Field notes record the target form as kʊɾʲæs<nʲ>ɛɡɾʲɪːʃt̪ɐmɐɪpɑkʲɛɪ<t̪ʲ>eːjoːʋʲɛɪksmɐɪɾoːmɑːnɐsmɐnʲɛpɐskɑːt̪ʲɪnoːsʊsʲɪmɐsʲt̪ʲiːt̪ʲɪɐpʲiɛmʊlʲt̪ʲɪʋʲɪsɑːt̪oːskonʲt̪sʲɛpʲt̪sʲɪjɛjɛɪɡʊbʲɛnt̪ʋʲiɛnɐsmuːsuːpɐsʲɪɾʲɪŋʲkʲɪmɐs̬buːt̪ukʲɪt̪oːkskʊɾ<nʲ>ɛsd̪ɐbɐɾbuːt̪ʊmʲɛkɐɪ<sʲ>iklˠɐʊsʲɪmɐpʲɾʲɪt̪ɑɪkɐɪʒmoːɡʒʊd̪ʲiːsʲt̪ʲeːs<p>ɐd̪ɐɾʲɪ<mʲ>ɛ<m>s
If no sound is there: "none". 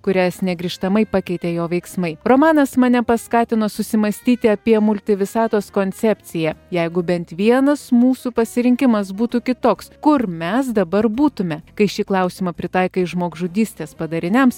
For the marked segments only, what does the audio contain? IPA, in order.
nʲ, t̪ʲ, mʲ, ʃʲ, p, nʲ, m

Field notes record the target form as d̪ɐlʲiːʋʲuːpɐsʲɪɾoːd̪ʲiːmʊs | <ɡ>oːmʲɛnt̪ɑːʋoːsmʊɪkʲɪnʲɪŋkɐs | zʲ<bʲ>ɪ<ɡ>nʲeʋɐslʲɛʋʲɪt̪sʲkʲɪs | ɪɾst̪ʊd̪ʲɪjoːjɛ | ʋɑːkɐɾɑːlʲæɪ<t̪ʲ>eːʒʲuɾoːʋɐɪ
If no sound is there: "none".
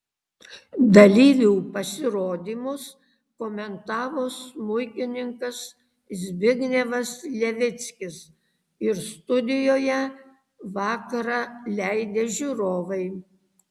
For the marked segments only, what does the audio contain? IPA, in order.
k, bʲ, ɡ, d̪ʲ

